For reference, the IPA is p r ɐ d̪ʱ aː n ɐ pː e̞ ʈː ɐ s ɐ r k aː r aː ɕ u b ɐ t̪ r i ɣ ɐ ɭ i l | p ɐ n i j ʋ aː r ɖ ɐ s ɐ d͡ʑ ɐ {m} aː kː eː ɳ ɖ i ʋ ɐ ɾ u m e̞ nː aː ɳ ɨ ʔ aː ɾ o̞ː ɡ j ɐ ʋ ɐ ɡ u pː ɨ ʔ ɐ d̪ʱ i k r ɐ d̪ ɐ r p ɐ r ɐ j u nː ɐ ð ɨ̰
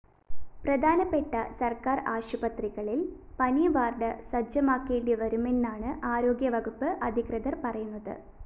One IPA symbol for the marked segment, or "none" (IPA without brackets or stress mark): m